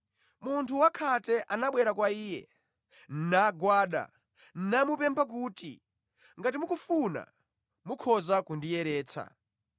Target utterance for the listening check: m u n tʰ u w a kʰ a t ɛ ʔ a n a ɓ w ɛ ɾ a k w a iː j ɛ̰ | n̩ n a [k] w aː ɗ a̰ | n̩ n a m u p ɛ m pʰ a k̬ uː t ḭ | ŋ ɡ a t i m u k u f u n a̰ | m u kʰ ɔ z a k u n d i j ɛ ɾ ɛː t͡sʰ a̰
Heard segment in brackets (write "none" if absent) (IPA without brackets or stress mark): ɡ